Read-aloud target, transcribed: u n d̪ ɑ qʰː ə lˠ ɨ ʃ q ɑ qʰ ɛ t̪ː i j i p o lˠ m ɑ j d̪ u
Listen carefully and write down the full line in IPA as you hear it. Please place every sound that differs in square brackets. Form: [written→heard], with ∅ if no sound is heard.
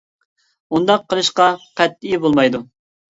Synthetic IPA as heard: u n d̪ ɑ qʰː ə lˠ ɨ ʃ q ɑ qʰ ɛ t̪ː i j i [p→b] o lˠ m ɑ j d̪ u

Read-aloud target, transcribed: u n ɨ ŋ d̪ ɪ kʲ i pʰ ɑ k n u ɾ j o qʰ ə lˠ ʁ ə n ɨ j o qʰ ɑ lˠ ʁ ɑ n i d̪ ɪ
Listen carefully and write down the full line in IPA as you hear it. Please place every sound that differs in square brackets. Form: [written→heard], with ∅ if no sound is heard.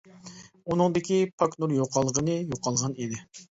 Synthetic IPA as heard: u n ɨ ŋ d̪ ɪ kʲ i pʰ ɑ k n u ɾ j o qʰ [ə→ɑ] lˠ ʁ ə n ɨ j o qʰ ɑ lˠ ʁ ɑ n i d̪ ɪ

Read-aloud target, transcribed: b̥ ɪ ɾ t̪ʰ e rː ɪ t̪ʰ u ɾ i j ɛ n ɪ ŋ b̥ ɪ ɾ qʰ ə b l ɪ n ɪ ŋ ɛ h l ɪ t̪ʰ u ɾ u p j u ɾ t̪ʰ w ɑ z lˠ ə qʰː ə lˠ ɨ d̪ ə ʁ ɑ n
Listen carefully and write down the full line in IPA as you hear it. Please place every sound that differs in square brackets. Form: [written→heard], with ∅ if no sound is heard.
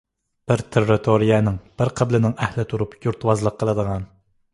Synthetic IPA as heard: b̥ ɪ ɾ t̪ʰ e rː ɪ t̪ʰ [u→o] ɾ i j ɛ n ɪ ŋ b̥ ɪ ɾ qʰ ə b l ɪ n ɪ ŋ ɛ h l ɪ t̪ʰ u ɾ u p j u ɾ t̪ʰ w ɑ z lˠ ə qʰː ə lˠ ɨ d̪ ə ʁ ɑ n

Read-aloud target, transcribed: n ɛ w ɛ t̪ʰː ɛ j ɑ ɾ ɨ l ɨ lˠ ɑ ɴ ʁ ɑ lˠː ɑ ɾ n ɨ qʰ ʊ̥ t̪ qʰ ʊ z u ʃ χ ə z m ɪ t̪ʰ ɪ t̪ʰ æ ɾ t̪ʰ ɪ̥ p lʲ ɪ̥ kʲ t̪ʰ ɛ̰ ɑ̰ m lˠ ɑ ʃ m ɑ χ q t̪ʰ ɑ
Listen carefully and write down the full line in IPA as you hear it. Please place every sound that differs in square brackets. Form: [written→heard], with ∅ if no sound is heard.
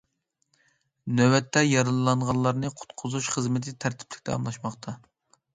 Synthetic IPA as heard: n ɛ w ɛ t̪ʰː ɛ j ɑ ɾ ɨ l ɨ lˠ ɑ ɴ ʁ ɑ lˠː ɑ ɾ n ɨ qʰ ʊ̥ t̪ qʰ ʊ z u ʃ χ ə z m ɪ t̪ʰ ɪ t̪ʰ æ ɾ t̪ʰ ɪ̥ p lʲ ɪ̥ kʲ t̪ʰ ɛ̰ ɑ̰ m lˠ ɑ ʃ m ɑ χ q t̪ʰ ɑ

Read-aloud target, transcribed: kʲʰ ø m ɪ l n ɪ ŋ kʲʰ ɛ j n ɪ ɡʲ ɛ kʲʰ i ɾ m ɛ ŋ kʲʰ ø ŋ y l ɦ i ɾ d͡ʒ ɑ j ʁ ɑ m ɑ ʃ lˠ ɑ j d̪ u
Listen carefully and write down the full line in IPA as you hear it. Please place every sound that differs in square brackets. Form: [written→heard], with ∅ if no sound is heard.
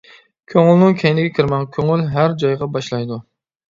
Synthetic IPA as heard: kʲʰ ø [m→ŋ] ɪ l n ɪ ŋ kʲʰ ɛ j n ɪ ɡʲ ɛ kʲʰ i ɾ m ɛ ŋ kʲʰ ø ŋ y l ɦ [i→æ] ɾ d͡ʒ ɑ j ʁ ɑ [m→b] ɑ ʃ lˠ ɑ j d̪ u

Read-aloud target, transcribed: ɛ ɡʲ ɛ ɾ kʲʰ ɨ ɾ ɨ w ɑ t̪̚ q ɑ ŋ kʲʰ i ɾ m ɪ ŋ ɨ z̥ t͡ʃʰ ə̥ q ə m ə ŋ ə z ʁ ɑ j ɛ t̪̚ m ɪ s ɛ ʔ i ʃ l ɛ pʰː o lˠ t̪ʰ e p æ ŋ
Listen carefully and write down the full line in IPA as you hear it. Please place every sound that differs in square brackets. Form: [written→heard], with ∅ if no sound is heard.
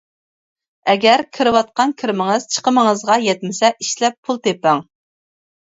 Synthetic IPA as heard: ɛ ɡʲ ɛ ɾ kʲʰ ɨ ɾ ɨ w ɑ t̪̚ q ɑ [ŋ→n] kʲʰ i ɾ m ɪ ŋ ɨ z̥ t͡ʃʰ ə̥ q ə m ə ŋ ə z ʁ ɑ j ɛ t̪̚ m ɪ s ɛ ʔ i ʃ l ɛ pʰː [o→u] lˠ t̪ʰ e p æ ŋ

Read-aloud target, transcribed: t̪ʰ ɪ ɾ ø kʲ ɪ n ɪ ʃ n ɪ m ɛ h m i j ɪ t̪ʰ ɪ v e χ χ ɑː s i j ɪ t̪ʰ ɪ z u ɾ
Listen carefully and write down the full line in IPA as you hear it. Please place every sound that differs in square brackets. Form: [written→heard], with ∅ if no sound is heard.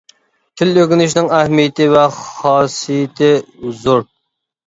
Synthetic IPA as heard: t̪ʰ ɪ [ɾ→l] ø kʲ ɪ n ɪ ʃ n ɪ [m→ŋ] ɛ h m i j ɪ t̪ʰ ɪ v [e→ɛ] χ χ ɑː s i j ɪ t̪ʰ ɪ z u ɾ

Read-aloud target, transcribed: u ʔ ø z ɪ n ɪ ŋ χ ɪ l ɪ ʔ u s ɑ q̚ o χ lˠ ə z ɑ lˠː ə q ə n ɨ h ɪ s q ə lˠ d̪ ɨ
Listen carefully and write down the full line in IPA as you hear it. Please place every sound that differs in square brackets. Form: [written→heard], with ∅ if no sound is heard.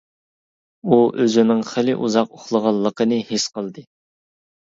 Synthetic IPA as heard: u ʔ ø z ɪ n ɪ ŋ χ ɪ l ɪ ʔ u [s→z] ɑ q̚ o χ lˠ ə [z→ʁ] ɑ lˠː ə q ə n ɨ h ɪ s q ə lˠ d̪ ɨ

